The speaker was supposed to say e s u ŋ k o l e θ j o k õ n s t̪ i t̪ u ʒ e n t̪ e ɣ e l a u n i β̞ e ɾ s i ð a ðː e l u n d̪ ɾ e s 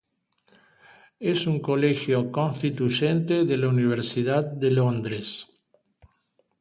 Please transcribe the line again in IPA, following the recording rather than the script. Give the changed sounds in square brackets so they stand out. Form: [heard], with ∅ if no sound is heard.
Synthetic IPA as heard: e s u ŋ k o l e [x] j o k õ n s t̪ i t̪ u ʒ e n t̪ e [ð] e l a u n i β̞ e ɾ s i ð a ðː e l [o] n d̪ ɾ e s